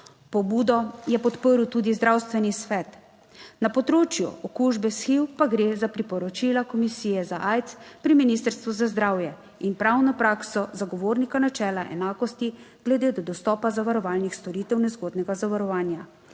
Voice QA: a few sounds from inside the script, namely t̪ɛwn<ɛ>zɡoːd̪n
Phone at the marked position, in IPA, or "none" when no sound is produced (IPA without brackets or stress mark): ɛ